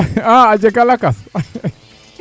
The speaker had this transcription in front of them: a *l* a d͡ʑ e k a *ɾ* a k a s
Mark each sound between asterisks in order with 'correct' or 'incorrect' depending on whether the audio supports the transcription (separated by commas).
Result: incorrect, incorrect